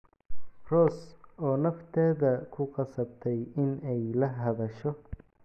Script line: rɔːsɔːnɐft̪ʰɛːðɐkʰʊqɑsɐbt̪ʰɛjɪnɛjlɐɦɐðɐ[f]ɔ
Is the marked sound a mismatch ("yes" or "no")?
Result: yes